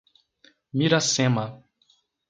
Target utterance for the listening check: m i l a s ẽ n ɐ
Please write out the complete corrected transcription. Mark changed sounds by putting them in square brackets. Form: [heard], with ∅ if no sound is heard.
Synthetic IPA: m i [ɾ] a s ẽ [m] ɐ